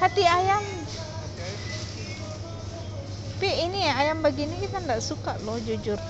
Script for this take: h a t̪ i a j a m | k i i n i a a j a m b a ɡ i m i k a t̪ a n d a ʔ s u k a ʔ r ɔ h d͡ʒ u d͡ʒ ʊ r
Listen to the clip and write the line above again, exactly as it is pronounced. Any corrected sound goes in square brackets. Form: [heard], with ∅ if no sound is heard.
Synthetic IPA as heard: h a t̪ i a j a m | [p] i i n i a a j a m b a ɡ i [n] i k [i] t̪ a n d a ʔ s u k a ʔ [l] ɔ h d͡ʒ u d͡ʒ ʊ r